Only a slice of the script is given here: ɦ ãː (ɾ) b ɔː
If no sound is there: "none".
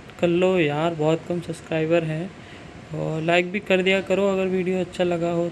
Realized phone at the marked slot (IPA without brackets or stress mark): ɾ